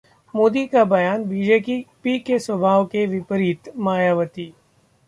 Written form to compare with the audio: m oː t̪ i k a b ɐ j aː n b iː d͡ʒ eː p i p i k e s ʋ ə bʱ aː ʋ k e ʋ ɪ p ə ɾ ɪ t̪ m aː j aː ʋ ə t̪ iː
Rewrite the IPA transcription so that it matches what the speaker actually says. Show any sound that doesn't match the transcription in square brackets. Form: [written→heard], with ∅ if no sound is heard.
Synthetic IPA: m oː [t̪→d̪] i k a b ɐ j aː n b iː d͡ʒ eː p i p i k e s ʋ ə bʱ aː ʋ k e ʋ ɪ p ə ɾ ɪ t̪ m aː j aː ʋ ə t̪ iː

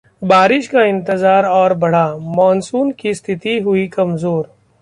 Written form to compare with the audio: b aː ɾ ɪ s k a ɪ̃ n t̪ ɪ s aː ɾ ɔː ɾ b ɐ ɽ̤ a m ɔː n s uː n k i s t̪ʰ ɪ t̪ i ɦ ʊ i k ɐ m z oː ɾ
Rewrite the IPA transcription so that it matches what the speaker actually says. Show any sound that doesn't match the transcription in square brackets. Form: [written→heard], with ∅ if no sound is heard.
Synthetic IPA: b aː ɾ ɪ [s→ʃ] k a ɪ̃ n t̪ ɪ [s→z] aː ɾ ɔː ɾ b ɐ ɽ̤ a m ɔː n s uː n k i s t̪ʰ ɪ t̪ i ɦ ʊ i k ɐ m z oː ɾ

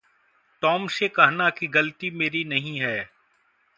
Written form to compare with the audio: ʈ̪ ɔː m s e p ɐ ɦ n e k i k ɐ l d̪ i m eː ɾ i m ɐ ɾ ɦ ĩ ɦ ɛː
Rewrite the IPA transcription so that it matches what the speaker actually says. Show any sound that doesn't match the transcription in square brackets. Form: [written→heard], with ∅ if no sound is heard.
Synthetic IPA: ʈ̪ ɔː m s e [p→k] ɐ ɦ n [e→a] k i [k→ɡ] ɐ l [d̪→t̪] i m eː ɾ i [m→n] ɐ [ɾ→∅] ɦ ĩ ɦ ɛː

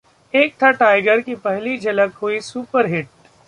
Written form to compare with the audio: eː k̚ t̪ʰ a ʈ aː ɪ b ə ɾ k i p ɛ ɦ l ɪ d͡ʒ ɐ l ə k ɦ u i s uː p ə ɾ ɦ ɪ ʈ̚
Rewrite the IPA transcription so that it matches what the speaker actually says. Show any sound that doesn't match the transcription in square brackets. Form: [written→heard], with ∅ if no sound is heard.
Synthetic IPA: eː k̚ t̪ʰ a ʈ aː ɪ [b→ɡ] ə ɾ k i p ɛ ɦ l [ɪ→i] d͡ʒ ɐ l ə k ɦ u i s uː p ə ɾ ɦ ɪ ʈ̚

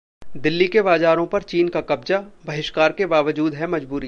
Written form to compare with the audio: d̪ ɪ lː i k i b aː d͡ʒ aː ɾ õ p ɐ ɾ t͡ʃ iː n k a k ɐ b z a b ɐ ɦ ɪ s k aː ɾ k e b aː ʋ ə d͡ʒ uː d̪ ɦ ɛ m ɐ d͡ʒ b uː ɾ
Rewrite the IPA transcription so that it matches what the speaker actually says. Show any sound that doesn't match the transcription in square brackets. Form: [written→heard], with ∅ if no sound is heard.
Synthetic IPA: d̪ ɪ lː i k [i→e] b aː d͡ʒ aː ɾ õ p ɐ ɾ t͡ʃ iː n k a k ɐ b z a b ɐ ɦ ɪ [s→ʃ] k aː ɾ k e b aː ʋ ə d͡ʒ uː d̪ ɦ ɛ m ɐ d͡ʒ b uː ɾ

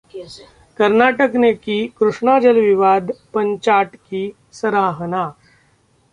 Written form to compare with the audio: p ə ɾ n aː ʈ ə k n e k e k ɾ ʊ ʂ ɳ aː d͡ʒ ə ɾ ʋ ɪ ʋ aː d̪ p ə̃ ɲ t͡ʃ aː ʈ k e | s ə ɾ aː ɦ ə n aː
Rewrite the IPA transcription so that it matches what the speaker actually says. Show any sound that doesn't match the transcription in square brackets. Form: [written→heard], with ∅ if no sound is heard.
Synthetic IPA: [p→k] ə ɾ n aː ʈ ə k n e k [e→i] k ɾ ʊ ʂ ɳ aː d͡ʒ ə [ɾ→l] ʋ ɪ ʋ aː d̪ p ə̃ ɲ t͡ʃ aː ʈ k [e→i] | s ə ɾ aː ɦ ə n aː

